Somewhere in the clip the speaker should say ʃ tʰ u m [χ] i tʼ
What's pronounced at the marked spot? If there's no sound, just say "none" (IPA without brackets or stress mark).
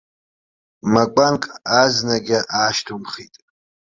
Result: χ